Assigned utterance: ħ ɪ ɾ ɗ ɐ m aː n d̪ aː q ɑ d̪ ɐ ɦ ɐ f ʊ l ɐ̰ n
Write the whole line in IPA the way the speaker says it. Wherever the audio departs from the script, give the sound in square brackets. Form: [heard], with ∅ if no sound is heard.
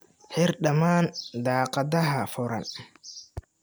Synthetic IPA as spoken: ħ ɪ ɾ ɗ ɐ m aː n d̪ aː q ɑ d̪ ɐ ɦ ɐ f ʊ [ɾ] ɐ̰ n